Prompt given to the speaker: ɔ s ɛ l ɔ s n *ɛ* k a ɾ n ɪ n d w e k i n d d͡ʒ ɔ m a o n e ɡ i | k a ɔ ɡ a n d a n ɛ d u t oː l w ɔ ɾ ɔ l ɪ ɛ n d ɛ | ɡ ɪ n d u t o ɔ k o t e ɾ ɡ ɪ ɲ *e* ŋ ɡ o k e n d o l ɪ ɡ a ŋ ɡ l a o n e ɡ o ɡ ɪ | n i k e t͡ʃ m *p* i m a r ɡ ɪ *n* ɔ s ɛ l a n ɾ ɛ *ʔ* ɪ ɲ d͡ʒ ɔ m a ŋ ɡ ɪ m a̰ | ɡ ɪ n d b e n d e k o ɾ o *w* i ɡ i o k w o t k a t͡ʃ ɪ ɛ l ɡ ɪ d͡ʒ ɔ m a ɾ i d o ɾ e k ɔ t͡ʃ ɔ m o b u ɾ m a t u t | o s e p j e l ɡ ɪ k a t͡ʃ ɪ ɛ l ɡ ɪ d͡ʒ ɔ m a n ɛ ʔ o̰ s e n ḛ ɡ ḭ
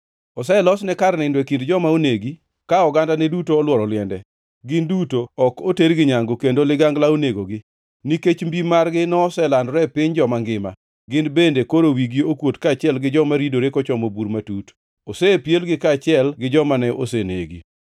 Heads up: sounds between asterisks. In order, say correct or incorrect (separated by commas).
correct, incorrect, incorrect, correct, incorrect, correct